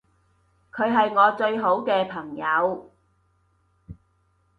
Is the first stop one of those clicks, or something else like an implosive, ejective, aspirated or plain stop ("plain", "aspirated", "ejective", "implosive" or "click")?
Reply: aspirated